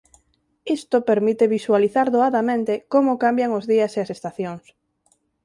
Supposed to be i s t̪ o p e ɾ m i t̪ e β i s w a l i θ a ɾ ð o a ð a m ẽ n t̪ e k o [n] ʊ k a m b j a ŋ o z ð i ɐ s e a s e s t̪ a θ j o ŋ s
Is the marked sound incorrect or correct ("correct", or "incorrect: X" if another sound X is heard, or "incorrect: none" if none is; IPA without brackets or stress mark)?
incorrect: m